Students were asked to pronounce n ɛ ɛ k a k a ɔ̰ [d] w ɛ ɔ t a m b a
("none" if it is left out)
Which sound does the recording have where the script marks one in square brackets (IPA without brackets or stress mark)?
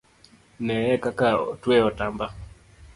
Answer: t